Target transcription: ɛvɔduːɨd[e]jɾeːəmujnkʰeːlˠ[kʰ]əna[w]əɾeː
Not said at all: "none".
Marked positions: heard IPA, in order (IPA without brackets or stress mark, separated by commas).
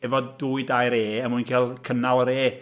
a, kʰ, w